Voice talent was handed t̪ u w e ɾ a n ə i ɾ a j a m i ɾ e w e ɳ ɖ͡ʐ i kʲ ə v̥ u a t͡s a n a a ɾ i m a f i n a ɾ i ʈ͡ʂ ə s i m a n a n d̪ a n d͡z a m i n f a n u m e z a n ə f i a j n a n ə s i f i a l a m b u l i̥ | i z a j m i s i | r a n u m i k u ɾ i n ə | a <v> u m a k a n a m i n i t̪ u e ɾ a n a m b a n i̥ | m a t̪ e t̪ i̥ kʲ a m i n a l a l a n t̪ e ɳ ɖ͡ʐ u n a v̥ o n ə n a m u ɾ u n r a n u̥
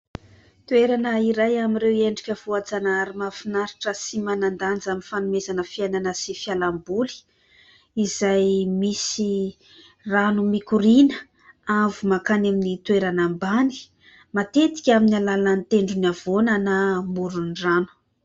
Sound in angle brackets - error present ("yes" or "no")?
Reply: no